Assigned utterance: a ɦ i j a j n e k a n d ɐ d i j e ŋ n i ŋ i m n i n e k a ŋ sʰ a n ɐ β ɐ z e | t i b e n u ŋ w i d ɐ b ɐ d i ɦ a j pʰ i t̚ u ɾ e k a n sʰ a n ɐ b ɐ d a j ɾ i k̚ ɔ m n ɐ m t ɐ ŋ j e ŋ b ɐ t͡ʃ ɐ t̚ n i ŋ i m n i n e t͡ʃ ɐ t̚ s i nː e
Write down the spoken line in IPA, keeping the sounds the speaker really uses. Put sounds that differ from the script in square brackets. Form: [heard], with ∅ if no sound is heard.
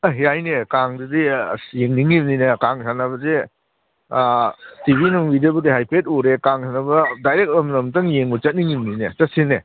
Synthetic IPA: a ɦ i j a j n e k a [ŋ] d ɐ d i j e ŋ n i ŋ i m n i n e k a ŋ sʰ a n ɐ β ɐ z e | t i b [i] n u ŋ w i d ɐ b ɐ d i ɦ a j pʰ [e] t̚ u ɾ e k a [ŋ] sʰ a n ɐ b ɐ d a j ɾ [e] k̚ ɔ m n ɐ m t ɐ ŋ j e ŋ b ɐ t͡ʃ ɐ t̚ n i ŋ i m n i n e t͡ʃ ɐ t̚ s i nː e

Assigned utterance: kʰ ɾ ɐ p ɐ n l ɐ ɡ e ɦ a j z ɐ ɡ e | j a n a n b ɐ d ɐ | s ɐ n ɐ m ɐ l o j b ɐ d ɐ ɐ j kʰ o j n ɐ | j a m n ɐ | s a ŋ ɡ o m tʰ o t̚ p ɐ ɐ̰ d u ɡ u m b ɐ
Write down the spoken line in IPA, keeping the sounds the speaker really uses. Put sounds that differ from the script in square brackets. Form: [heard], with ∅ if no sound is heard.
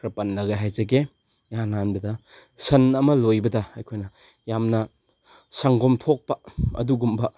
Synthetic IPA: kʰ ɾ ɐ p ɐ n l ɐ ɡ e ɦ a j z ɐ ɡ e | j a n a n b ɐ d ɐ | s ɐ n ɐ m ɐ l o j b ɐ d ɐ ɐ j kʰ o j n ɐ | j a m n ɐ | s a ŋ ɡ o m tʰ o [k̚] p ɐ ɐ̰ d u ɡ u m b ɐ

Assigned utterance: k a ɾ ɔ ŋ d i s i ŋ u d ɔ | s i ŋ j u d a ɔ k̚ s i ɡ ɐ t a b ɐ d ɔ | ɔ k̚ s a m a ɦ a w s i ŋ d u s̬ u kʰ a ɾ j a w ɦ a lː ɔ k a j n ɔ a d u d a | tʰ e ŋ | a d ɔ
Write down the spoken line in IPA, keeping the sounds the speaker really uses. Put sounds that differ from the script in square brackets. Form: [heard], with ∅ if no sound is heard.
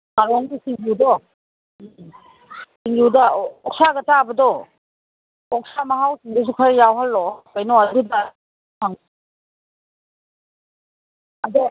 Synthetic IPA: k a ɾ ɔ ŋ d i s i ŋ u d ɔ | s i ŋ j u d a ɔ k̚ s [a] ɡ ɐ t a b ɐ d ɔ | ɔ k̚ s a m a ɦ a w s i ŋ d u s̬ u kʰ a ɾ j a w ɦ a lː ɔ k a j n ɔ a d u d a | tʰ [a] ŋ | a d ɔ

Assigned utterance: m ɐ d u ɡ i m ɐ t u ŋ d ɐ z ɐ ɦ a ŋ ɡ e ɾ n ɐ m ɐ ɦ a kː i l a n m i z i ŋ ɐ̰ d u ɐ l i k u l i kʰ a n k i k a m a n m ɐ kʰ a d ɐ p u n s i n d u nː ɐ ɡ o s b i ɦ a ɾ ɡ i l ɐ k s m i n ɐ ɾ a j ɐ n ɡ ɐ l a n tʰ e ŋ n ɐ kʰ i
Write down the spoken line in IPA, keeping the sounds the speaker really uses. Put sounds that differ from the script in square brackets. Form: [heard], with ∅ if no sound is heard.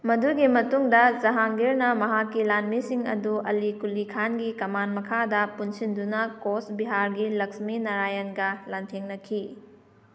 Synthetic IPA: m ɐ d u ɡ i m ɐ t u ŋ d ɐ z ɐ ɦ a ŋ ɡ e ɾ n ɐ m ɐ ɦ a kː i l a n m i [s] i ŋ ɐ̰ d u ɐ l i k u l i kʰ a n [ɡ] i k [ɐ] m a n m ɐ kʰ a d ɐ p u n s i n d u [n] ɐ [k] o s b i ɦ a ɾ ɡ i l ɐ k s m i n ɐ ɾ a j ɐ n ɡ ɐ l a n tʰ e ŋ n ɐ kʰ i

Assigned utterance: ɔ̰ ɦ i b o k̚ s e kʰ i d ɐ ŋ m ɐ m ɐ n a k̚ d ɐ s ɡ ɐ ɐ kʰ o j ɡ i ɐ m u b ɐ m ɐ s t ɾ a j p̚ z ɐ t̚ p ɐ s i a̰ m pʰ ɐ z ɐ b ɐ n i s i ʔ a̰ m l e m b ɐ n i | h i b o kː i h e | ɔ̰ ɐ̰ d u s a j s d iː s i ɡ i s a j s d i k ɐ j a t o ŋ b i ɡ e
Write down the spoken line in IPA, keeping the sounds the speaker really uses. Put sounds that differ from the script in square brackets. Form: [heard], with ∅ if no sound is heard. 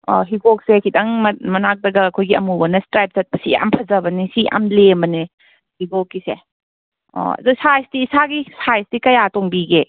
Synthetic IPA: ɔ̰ ɦ i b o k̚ s e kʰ i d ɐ ŋ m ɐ m ɐ n a k̚ d ɐ [∅] ɡ ɐ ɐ kʰ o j ɡ i ɐ m u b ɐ [n] ɐ s t ɾ a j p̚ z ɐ t̚ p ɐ s i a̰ m pʰ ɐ z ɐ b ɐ n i s i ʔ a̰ m l e m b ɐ n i | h i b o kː i [s] e | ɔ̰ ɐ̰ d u s a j s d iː s [a] ɡ i s a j s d i k ɐ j a t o ŋ b i ɡ e

